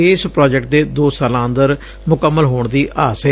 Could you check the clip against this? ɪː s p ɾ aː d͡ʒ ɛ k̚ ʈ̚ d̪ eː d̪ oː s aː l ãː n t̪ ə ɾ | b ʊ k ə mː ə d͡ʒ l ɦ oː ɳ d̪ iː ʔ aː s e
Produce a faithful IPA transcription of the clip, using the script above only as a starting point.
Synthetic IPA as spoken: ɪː s p ɾ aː d͡ʒ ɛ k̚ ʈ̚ d̪ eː d̪ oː s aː l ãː n d̪ ə ɾ | m ʊ k ə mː ə l ɦ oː ɳ d̪ iː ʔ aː s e

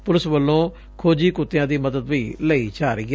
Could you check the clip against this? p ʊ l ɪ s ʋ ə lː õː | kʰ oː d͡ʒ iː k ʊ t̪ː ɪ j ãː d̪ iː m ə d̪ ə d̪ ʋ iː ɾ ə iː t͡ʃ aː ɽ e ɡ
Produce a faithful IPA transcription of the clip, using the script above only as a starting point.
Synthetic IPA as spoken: p ʊ l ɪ s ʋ ə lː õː | kʰ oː d͡ʒ iː k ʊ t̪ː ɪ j ãː d̪ iː m ə d̪ ə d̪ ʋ iː l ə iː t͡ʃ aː ɾ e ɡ

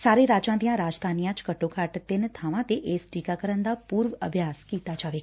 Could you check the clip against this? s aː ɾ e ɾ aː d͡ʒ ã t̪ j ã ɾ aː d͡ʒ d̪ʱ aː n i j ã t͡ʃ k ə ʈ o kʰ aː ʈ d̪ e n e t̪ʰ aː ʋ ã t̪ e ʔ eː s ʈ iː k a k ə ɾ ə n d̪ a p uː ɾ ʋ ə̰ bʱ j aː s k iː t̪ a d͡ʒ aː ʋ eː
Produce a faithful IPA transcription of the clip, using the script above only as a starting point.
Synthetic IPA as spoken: s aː ɾ e ɾ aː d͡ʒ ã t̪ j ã ɾ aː d͡ʒ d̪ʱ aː n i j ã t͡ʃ k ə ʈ o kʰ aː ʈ t̪ e n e t̪ʰ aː ʋ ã t̪ e ʔ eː s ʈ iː k a k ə ɾ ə n d̪ a p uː ɾ ʋ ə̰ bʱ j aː s k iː t̪ a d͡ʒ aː ʋ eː

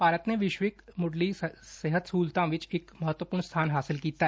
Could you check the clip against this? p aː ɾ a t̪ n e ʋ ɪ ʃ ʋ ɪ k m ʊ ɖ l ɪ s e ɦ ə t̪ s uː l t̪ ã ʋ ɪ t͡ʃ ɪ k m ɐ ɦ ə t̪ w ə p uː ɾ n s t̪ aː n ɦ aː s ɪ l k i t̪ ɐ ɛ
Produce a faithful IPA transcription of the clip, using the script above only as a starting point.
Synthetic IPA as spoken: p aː ɾ ə t̪ n e ʋ ɪ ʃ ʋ ɪ k m ʊ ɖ l i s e ɦ ə t̪ s uː l t̪ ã ʋ ɪ t͡ʃ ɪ k m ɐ ɦ ə t̪ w ə p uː ɾ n s t̪ʰ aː n ɦ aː s ɪ l k iː t̪ a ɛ

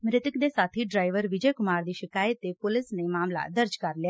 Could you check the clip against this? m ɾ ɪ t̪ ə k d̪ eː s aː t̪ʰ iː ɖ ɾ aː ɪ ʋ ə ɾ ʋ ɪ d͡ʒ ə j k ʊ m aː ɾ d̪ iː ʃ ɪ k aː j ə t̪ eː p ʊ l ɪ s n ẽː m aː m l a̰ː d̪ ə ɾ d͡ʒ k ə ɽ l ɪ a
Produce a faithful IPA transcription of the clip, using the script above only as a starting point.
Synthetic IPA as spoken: m ɾ ɪ t̪ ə k d̪ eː s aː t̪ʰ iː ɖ ɾ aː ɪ ʋ ə ɾ ʋ ɪ d͡ʒ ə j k ʊ m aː ɾ d̪ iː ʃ ɪ k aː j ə t̪ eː p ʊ l ɪ s n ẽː m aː m l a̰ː d̪ ə ɾ d͡ʒ k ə ɾ l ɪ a

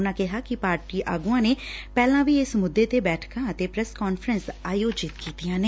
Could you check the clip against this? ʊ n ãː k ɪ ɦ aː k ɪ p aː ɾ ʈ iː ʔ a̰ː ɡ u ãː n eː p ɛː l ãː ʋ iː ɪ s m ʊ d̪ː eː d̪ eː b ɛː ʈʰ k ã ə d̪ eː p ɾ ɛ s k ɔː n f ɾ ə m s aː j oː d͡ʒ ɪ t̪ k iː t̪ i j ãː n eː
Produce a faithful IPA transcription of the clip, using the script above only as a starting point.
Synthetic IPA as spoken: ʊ n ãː k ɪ ɦ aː k ɪ p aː ɾ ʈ iː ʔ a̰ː ɡ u ãː n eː p ɛː l ãː ʋ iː ɪ s m ʊ d̪ː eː t̪ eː b ɛː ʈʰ k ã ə t̪ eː p ɾ ɛ s k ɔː n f ɾ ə n s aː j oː d͡ʒ ɪ t̪ k iː t̪ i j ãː n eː

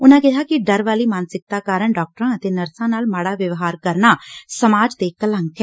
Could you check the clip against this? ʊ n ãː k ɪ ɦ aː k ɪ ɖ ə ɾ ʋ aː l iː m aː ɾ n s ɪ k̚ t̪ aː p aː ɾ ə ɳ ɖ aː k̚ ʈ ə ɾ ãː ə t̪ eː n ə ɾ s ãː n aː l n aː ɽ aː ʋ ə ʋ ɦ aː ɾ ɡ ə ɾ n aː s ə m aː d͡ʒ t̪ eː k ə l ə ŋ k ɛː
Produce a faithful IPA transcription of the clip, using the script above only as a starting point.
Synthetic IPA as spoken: ʊ n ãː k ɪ ɦ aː k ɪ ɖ ə ɾ ʋ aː l iː m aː n s ɪ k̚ t̪ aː k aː ɾ ə ɳ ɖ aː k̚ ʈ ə ɾ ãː ə t̪ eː n ə ɾ s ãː n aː l m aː ɽ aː ʋ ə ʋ ɦ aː ɾ k ə ɾ n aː s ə m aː d͡ʒ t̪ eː k ə l ə ŋ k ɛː

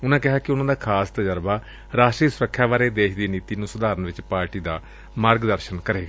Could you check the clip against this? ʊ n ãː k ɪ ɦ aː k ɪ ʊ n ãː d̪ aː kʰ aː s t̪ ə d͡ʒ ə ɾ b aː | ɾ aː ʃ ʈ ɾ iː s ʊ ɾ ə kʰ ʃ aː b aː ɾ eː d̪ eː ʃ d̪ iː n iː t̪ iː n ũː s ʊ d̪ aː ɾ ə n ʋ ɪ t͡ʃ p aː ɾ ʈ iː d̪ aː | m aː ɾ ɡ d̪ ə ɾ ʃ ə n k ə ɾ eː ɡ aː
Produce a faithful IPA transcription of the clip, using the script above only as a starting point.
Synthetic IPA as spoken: ʊ n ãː k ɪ ɦ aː k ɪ ʊ n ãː d̪ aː kʰ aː s t̪ ə d͡ʒ ə ɾ b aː | ɾ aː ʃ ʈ ɾ iː s ʊ ɾ ə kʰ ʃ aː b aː ɾ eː d̪ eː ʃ d̪ iː n iː t̪ iː n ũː s ʊ d̪ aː ɾ ə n ʋ ɪ t͡ʃ p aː ɾ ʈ iː d̪ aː | m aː ɾ ɡ d̪ ə ɾ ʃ ə n k ə ɾ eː ɡ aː

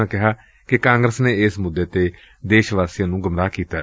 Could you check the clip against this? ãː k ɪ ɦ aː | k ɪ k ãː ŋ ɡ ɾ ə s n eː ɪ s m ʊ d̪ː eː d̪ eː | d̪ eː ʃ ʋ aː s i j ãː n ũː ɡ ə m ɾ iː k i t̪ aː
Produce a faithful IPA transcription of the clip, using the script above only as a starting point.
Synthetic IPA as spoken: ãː k ɪ ɦ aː | k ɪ k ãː ŋ ɡ ɾ ə s n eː ɪ s m ʊ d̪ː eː t̪ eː | d̪ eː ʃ ʋ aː s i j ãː n ũː ɡ ə m ɾ aː k iː t̪ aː

